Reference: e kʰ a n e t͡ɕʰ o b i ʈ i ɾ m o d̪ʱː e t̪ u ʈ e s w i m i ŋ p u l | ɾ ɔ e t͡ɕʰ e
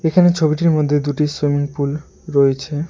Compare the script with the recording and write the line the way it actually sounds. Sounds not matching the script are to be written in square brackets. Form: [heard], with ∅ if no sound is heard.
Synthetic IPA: e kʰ a n e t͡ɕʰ o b i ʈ i ɾ m o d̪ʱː e [d̪] u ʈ [i] s w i m i ŋ p u l | ɾ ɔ e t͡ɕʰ e